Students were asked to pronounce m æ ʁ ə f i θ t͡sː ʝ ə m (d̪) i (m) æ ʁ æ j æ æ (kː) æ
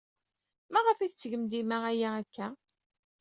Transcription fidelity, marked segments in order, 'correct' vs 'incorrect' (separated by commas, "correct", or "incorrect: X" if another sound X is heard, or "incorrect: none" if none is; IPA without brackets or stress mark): correct, correct, correct